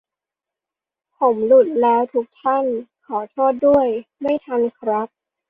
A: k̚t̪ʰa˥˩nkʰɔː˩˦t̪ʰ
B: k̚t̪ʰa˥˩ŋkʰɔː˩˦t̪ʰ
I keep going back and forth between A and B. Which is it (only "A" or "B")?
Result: A